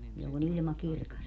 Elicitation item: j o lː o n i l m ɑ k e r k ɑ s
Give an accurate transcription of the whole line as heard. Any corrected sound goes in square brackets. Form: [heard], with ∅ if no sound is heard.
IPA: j o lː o n i l m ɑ k [i] r k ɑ s